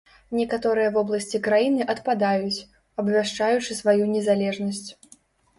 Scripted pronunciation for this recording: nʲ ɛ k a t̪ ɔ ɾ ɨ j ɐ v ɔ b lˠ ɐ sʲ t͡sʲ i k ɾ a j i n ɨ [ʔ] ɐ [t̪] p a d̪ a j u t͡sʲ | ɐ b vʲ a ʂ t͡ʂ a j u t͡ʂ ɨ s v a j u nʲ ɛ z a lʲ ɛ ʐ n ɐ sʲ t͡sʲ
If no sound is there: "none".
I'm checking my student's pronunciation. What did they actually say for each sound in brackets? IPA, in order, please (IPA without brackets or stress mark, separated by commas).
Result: ʔ, t̪